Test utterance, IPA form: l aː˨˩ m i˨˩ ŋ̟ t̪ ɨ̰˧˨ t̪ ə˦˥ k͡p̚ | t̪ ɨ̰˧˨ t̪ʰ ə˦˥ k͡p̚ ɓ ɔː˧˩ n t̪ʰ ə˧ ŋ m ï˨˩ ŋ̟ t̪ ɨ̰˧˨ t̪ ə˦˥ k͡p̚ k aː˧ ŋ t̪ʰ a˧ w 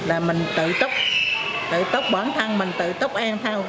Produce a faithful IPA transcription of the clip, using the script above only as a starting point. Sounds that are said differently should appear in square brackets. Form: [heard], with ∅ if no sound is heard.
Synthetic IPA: l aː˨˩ m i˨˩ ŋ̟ t̪ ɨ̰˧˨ t̪ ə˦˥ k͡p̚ | t̪ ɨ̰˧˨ [t̪] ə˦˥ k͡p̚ ɓ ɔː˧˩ n t̪ʰ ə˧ ŋ m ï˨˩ ŋ̟ t̪ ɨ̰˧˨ t̪ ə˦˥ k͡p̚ [ʔ] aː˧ ŋ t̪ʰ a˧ w